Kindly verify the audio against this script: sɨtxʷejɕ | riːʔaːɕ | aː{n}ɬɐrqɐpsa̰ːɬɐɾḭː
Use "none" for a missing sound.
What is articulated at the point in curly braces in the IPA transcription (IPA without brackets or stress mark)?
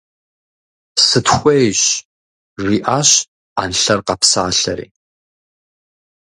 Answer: n